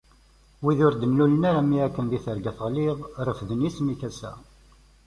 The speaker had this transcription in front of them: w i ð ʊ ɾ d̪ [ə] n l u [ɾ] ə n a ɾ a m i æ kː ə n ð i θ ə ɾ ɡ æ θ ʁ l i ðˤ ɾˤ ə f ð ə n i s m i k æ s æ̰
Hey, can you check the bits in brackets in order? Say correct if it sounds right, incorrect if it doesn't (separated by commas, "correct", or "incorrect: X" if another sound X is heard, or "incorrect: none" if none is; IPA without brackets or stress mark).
correct, incorrect: l